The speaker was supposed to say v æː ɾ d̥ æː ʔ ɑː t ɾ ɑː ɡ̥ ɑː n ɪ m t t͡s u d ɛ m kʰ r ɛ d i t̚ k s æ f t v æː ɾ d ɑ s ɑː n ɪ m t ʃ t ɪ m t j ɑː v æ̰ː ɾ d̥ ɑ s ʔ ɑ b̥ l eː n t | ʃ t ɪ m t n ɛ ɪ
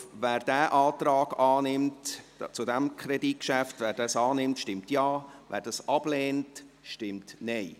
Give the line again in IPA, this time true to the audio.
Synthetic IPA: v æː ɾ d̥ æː ʔ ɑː t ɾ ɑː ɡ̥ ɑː n ɪ m t t͡s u d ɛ m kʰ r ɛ d i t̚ k ʃ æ f t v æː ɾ d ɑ s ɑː n ɪ m t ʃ t ɪ m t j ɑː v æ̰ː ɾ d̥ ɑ s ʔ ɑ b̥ l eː n t | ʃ t ɪ m t n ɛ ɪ

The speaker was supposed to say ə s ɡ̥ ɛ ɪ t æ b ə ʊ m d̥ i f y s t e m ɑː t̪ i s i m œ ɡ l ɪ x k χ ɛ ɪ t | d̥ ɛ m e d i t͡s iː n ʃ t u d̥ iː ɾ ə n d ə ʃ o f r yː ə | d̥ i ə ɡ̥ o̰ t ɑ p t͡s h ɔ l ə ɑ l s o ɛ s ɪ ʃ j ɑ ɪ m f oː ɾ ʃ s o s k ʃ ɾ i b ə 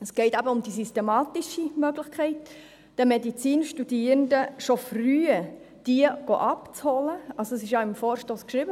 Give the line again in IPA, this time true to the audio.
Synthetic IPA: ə s ɡ̥ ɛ ɪ t æ b ə ʊ m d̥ i s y s t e m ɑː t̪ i ʃ i m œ ɡ l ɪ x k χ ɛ ɪ t | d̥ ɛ m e d i t͡s iː n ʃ t u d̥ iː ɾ ə n d ə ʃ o f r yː ə | d̥ i ə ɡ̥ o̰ ʔ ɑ p t͡s h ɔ l ə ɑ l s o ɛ s ɪ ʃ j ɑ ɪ m f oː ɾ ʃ t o s k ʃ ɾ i b ə

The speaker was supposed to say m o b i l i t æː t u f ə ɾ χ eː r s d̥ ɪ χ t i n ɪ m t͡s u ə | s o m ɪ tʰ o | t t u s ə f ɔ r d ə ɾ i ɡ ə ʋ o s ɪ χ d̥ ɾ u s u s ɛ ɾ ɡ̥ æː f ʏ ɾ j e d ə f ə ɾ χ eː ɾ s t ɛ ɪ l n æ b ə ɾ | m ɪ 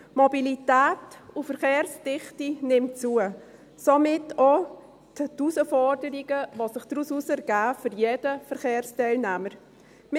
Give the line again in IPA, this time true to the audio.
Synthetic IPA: m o b i l i t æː t u f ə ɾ χ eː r s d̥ ɪ χ t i n ɪ m t͡s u ə | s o m ɪ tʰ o | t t u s ə f ɔ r d ə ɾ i ɡ ə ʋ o s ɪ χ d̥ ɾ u s u s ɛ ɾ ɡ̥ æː f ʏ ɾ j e d ə f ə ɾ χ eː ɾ s t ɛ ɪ l n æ m ə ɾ | m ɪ

